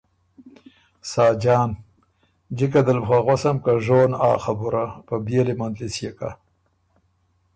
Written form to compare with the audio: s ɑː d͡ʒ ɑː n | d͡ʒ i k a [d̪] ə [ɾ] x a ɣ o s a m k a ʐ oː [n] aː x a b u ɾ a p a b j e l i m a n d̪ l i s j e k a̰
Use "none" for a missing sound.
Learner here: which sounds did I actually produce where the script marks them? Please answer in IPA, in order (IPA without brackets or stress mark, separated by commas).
d̪, l, n